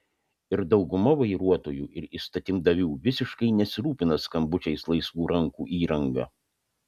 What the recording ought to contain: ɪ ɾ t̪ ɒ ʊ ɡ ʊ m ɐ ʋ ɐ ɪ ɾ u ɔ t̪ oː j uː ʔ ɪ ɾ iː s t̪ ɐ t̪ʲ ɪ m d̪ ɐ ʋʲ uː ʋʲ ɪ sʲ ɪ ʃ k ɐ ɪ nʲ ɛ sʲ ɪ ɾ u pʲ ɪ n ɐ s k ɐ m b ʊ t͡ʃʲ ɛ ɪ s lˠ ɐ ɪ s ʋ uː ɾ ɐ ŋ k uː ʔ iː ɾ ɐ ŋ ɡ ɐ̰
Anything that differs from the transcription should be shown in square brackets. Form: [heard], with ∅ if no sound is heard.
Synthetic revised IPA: ɪ ɾ [d̪] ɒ ʊ ɡ ʊ m ɐ ʋ ɐ ɪ ɾ u ɔ t̪ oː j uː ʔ ɪ ɾ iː s t̪ ɐ t̪ʲ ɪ m d̪ ɐ ʋʲ uː ʋʲ ɪ sʲ ɪ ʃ k ɐ ɪ nʲ ɛ sʲ ɪ ɾ [uː] pʲ ɪ n ɐ s k ɐ m b ʊ t͡ʃʲ ɛ ɪ s lˠ ɐ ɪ s ʋ uː ɾ ɐ ŋ k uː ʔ iː ɾ ɐ ŋ ɡ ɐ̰

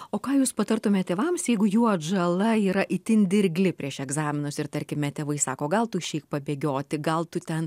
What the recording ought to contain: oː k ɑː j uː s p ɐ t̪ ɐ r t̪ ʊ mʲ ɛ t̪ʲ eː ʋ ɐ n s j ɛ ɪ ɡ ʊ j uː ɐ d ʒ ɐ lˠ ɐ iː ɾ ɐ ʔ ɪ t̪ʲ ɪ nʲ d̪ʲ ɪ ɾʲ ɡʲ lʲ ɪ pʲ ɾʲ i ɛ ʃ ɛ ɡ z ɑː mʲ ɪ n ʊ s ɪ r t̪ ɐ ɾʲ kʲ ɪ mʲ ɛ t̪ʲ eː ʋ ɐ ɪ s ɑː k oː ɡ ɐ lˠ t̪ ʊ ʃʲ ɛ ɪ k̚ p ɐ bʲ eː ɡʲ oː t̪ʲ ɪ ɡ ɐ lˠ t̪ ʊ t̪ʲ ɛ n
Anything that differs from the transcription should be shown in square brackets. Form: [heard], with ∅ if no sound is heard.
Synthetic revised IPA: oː k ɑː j uː s p ɐ t̪ ɐ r t̪ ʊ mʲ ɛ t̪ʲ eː ʋ ɐ [m] s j ɛ ɪ ɡ ʊ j uː ɐ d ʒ ɐ lˠ ɐ iː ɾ ɐ ʔ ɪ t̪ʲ ɪ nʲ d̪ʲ ɪ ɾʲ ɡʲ lʲ ɪ pʲ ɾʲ i ɛ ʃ ɛ ɡ z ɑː mʲ ɪ n ʊ s ɪ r t̪ ɐ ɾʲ kʲ ɪ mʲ ɛ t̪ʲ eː ʋ ɐ ɪ s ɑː k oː ɡ ɐ lˠ t̪ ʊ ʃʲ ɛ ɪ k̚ p ɐ bʲ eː ɡʲ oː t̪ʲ ɪ ɡ ɐ lˠ t̪ ʊ t̪ʲ ɛ n

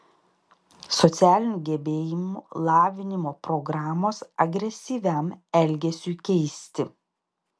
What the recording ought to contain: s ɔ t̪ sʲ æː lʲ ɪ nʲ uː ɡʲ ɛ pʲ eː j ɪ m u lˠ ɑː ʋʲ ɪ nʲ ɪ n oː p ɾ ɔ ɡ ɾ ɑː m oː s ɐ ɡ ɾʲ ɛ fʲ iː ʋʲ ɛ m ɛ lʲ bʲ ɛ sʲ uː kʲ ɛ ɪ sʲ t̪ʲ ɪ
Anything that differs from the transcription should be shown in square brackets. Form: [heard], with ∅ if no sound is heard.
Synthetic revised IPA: s ɔ t̪ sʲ æː lʲ ɪ nʲ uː ɡʲ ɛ [bʲ] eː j ɪ m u lˠ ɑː ʋʲ ɪ nʲ ɪ [m] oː p ɾ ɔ ɡ ɾ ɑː m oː s ɐ ɡ ɾʲ ɛ [sʲ] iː ʋʲ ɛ m ɛ lʲ [ɡʲ] ɛ sʲ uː kʲ ɛ ɪ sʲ t̪ʲ ɪ

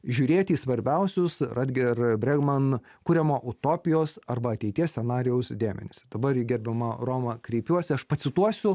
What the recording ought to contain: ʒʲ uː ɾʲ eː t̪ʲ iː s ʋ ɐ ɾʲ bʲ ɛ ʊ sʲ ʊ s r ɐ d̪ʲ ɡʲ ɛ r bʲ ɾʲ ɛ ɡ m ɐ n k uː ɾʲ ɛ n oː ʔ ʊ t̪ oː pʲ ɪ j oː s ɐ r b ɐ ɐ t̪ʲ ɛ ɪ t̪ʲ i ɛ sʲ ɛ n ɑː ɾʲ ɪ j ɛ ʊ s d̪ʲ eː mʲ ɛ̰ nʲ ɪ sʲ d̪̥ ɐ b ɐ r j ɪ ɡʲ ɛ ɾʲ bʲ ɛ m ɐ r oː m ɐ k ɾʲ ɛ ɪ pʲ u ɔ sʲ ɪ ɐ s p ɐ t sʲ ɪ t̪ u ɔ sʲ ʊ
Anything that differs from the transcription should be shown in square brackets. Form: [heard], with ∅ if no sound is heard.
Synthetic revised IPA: ʒʲ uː ɾʲ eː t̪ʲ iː s ʋ ɐ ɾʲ bʲ ɛ ʊ sʲ ʊ s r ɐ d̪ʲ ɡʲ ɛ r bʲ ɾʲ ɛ ɡ m ɐ n k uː ɾʲ ɛ [m] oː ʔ ʊ t̪ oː pʲ ɪ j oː s ɐ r b ɐ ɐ t̪ʲ ɛ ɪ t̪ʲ i ɛ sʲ ɛ n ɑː ɾʲ ɪ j ɛ ʊ s d̪ʲ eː mʲ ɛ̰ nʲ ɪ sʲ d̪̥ ɐ b ɐ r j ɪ ɡʲ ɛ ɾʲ bʲ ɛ m ɐ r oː m ɐ k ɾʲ ɛ ɪ pʲ u ɔ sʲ ɪ ɐ [ʃ] p ɐ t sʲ ɪ t̪ u ɔ sʲ ʊ

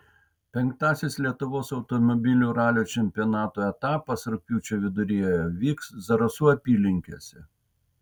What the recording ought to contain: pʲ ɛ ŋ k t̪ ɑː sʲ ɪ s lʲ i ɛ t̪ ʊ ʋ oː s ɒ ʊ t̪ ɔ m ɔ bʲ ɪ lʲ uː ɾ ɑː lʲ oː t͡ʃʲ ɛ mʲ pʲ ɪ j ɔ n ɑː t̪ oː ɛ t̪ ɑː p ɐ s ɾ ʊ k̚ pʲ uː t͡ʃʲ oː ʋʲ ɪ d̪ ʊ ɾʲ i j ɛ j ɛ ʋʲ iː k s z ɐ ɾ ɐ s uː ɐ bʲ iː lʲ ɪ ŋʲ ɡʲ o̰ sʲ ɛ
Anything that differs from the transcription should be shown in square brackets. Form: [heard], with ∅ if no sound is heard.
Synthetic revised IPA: pʲ ɛ ŋ k t̪ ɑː sʲ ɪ s lʲ i ɛ t̪ ʊ ʋ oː s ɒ ʊ t̪ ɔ m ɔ bʲ ɪ lʲ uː ɾ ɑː lʲ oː t͡ʃʲ ɛ mʲ pʲ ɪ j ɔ n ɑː t̪ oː ɛ t̪ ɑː p ɐ s ɾ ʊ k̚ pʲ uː t͡ʃʲ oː ʋʲ ɪ d̪ ʊ ɾʲ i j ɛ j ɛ ʋʲ iː k s z ɐ ɾ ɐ s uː ɐ [pʲ] iː lʲ ɪ ŋʲ [kʲ] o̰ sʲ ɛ

